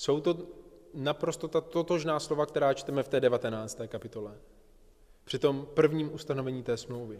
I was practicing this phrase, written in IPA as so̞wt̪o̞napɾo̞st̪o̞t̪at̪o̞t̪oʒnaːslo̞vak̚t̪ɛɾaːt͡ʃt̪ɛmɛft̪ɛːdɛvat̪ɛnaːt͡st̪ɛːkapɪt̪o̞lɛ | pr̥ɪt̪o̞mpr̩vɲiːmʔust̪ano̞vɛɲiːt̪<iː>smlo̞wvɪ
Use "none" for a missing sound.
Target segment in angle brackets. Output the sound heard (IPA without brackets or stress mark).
ɛː